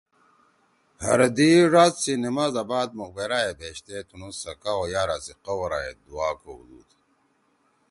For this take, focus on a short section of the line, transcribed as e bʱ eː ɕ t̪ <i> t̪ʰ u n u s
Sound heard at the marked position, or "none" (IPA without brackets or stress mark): e